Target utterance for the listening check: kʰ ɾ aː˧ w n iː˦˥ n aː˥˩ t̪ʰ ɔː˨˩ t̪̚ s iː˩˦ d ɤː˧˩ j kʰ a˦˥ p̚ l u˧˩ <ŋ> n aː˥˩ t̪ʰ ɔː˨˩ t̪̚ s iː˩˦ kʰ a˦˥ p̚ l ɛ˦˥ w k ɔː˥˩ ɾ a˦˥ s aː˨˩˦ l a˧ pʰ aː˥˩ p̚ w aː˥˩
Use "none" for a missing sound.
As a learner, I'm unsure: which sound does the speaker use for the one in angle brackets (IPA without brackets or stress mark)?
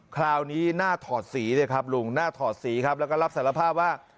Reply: ŋ